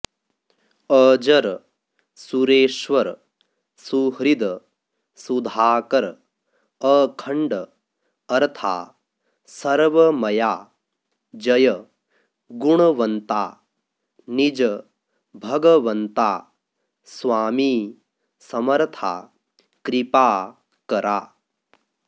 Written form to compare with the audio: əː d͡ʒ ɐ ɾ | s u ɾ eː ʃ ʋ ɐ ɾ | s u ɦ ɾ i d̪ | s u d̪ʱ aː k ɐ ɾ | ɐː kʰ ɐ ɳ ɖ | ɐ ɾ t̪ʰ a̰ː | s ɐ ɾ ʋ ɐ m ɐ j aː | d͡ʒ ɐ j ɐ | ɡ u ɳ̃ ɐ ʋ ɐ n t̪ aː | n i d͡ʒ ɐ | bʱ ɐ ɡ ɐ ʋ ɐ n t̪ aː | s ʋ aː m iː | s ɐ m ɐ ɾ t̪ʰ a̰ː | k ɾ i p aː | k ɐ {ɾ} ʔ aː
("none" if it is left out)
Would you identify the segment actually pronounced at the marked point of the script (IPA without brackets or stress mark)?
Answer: ɾ